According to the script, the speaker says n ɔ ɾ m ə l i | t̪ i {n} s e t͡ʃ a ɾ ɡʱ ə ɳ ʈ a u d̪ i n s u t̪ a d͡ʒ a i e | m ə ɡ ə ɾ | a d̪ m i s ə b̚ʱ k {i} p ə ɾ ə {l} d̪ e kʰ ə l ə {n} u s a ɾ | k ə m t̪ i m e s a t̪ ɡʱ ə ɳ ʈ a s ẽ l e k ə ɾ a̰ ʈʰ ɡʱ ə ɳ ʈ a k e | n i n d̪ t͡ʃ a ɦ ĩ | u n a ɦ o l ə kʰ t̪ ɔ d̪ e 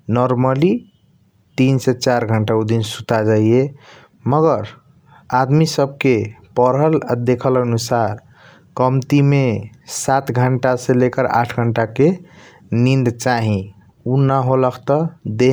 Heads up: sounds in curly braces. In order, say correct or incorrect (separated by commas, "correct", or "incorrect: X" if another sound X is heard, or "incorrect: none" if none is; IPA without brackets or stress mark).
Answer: correct, incorrect: e, correct, correct